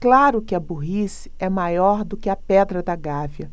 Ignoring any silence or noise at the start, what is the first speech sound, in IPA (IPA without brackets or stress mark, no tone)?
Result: k